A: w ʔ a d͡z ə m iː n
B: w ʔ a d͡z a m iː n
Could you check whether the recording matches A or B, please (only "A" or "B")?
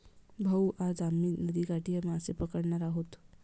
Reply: B